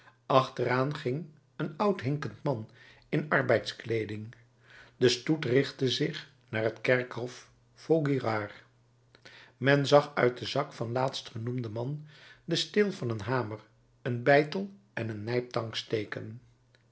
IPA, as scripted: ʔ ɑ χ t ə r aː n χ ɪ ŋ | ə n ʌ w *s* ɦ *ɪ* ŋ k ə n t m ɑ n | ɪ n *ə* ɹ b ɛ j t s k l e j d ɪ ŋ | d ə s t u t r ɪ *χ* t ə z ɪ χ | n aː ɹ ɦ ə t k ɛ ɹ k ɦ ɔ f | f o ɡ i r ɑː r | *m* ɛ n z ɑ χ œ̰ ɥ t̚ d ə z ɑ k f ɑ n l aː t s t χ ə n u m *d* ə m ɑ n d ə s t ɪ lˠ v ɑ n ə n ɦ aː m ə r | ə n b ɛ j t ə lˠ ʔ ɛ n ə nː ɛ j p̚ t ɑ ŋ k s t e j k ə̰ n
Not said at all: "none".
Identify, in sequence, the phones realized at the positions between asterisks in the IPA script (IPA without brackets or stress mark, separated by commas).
t, ɪ, ɑ, χ, m, d